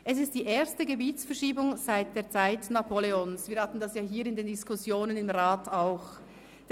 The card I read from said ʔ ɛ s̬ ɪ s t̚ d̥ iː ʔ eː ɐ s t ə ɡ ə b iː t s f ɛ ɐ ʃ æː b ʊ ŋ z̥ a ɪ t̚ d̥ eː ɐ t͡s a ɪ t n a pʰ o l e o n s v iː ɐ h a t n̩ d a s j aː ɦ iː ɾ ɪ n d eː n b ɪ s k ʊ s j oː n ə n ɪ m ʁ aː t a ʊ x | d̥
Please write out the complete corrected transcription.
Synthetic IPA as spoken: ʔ ɛ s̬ ɪ s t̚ d̥ iː ʔ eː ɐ s t ə ɡ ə b iː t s f ɛ ɐ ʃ iː b ʊ ŋ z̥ a ɪ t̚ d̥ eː ɐ t͡s a ɪ t n a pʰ o l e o n s v iː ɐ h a t n̩ d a s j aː ɦ iː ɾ ɪ n d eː n d ɪ s k ʊ s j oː n ə n ɪ m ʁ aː t a ʊ x | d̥